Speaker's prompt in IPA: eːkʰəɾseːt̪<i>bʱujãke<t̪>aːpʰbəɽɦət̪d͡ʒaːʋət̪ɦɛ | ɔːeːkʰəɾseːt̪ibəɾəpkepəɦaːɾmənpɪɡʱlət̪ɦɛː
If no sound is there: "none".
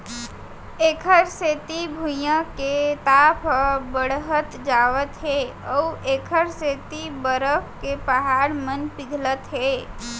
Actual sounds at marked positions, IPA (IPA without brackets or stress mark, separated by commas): i, t̪